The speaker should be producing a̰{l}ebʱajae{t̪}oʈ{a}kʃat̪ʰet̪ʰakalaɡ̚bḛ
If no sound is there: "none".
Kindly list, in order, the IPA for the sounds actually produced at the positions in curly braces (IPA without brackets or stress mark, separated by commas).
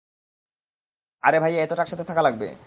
ɾ, t̪, a